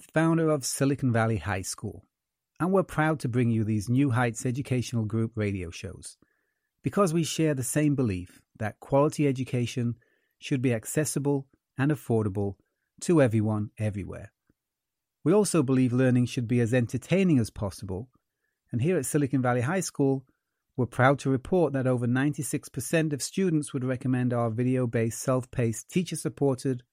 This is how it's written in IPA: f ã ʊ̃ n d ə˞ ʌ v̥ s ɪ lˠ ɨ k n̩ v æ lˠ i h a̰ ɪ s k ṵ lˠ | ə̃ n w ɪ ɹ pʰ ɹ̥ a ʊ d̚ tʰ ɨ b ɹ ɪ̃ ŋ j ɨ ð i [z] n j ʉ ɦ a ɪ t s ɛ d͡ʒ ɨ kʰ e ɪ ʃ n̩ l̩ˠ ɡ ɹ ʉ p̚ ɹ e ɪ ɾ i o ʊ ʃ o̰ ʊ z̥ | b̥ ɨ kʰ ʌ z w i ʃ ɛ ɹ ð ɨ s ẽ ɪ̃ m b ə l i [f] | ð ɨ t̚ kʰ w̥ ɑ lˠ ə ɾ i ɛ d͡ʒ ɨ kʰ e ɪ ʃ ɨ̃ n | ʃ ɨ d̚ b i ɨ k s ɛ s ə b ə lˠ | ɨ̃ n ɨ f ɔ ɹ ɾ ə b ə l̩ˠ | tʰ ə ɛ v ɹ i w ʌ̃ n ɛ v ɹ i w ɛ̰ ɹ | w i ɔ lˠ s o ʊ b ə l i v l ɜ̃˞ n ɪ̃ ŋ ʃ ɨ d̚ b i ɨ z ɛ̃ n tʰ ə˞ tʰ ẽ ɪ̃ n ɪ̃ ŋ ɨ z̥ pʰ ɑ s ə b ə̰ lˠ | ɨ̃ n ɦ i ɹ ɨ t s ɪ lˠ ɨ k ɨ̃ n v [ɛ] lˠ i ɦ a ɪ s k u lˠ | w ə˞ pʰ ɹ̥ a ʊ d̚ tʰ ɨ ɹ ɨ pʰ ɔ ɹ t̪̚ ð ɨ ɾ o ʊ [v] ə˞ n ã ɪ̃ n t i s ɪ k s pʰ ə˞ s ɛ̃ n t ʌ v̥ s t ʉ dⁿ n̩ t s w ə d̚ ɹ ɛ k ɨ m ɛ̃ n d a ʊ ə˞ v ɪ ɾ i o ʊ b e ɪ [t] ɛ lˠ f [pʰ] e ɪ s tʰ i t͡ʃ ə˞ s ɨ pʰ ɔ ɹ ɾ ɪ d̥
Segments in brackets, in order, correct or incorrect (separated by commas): correct, correct, incorrect, correct, incorrect, correct